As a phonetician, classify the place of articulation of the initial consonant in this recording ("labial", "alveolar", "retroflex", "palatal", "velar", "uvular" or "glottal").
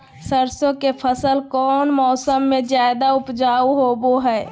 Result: alveolar